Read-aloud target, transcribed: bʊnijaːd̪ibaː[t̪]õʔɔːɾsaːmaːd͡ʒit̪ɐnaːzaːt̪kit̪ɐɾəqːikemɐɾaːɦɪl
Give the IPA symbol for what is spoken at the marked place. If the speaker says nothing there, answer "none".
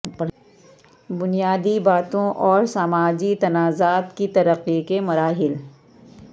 t̪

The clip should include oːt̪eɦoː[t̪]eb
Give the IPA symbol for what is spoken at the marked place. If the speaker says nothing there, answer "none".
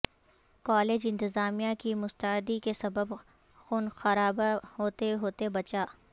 t̪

